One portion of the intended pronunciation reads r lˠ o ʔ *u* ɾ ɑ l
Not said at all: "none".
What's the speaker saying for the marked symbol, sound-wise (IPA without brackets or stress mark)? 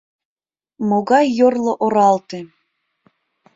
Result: o